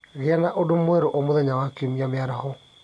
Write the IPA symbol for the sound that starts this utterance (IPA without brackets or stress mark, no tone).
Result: ɣ